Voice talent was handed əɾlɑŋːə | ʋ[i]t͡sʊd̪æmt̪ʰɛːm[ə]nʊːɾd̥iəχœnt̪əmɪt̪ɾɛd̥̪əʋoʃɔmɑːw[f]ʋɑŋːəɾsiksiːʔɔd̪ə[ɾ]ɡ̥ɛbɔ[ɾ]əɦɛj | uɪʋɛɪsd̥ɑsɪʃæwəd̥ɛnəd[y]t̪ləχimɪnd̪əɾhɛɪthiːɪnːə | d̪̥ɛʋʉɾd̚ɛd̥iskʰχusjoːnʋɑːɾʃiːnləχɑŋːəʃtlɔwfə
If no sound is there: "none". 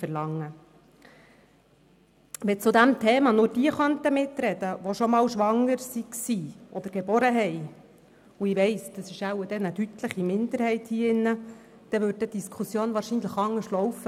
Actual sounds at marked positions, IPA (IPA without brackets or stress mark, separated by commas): ɛ, ɑ, ʃ, ɾ, ɾ, y